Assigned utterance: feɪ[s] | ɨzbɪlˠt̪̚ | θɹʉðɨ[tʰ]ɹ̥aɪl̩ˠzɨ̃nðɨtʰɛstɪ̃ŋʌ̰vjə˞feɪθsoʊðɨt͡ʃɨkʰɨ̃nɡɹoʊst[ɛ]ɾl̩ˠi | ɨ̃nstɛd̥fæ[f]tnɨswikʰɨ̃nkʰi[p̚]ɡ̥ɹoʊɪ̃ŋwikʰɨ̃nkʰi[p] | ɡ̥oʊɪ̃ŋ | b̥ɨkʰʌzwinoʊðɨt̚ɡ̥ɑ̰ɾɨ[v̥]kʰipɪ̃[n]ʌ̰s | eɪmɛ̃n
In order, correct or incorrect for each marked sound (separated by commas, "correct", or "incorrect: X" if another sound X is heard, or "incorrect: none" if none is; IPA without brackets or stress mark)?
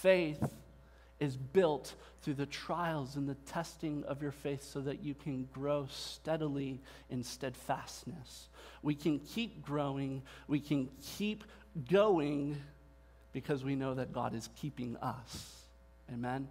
incorrect: θ, correct, correct, incorrect: s, correct, correct, incorrect: z̥, incorrect: ŋ